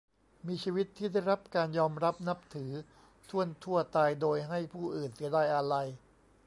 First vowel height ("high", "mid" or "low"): high